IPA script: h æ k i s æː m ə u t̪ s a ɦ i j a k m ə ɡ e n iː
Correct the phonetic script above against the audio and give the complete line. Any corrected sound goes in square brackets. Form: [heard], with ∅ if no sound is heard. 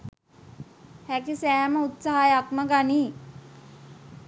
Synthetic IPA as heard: h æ k i s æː m ə u t̪ s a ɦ [a] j a k m ə ɡ [a] n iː

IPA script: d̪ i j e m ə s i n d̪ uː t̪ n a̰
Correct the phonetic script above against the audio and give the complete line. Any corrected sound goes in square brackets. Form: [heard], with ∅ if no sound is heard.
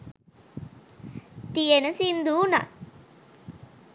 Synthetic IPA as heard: [t̪] i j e [n] ə s i n d̪ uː [∅] n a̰

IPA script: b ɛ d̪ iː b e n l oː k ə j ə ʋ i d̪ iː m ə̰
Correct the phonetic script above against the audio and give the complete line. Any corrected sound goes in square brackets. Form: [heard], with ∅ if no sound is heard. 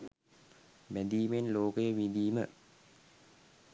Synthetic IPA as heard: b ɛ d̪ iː [m] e n l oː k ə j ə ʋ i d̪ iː m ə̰

